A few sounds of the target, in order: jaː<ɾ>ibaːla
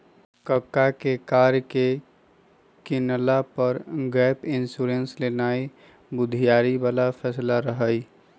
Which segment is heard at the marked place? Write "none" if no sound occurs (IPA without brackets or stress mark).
ɾ